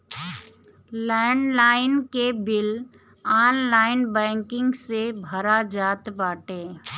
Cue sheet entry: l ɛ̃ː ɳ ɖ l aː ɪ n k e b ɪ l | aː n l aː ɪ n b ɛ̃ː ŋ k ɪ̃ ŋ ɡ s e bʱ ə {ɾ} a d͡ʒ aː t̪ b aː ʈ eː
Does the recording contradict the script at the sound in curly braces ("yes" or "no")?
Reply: no